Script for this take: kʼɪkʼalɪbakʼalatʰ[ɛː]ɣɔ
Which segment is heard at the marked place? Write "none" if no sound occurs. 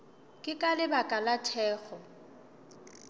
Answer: ɛː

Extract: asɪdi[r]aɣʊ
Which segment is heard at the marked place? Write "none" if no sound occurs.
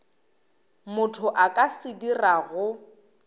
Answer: r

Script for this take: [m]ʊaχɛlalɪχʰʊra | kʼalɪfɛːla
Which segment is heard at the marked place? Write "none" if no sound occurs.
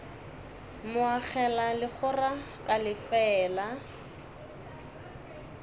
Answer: m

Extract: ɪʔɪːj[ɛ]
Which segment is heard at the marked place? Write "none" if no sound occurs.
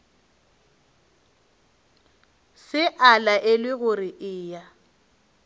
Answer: a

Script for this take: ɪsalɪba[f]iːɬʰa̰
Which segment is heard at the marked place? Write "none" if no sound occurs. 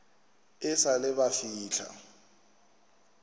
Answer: f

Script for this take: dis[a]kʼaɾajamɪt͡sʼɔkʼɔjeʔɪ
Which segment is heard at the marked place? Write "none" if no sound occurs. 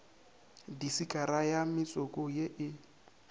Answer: i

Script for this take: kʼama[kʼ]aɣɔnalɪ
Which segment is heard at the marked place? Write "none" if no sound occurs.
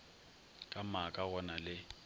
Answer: kʼ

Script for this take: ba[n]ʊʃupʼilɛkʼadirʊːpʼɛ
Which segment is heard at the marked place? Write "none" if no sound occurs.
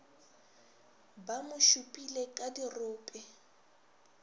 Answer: m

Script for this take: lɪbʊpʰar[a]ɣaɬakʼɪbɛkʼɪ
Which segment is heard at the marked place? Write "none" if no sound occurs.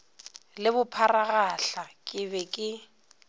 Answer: a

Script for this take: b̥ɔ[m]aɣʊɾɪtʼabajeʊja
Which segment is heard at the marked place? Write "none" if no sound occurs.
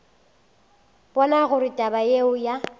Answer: n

